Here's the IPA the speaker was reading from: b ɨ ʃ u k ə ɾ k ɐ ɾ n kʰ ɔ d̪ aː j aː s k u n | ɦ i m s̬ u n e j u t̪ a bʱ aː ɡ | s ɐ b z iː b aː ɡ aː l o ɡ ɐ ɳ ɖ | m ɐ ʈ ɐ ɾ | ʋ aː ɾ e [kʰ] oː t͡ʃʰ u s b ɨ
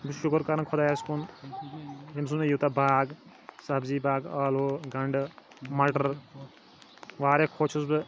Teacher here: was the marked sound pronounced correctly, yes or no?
yes